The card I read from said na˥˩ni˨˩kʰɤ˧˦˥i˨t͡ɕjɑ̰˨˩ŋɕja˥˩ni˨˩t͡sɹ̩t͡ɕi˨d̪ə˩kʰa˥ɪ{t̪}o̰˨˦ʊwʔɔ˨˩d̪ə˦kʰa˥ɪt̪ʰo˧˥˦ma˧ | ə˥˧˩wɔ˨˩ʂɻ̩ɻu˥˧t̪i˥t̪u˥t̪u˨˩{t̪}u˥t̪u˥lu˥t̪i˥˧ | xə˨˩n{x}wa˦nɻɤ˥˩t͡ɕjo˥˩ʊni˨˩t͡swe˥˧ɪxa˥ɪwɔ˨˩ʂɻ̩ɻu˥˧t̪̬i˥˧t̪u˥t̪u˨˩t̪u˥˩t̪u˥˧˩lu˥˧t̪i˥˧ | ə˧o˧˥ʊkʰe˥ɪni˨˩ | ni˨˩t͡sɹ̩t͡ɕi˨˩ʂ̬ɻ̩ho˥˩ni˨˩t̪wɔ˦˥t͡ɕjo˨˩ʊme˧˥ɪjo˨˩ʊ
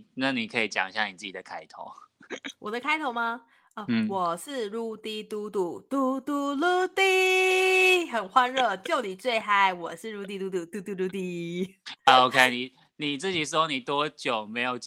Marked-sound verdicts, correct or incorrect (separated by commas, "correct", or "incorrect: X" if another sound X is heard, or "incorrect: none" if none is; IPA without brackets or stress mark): incorrect: t̪ʰ, correct, correct